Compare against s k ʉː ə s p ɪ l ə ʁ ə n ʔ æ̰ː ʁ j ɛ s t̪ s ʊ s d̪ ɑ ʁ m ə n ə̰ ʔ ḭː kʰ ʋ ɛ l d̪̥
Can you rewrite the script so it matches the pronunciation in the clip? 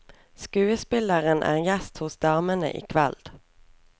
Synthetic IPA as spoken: s k ʉː ə s p ɪ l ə ʁ ə n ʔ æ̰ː ʁ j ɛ s t̪ h ʊ s d̪ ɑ ʁ m ə n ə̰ ʔ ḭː kʰ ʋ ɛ l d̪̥